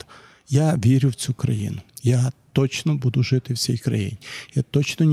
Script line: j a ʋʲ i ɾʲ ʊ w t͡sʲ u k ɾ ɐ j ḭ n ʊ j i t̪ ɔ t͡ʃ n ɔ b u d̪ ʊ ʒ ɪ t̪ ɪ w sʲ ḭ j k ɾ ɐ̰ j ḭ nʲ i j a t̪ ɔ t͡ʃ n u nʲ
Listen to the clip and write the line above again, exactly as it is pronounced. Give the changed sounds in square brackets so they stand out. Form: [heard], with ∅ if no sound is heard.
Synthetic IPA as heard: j a ʋʲ i ɾʲ ʊ w t͡sʲ u k ɾ ɐ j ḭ n ʊ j [a] t̪ ɔ t͡ʃ n ɔ b u d̪ ʊ ʒ ɪ t̪ ɪ w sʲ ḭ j k ɾ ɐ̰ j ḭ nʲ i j a t̪ ɔ t͡ʃ n [ɔ] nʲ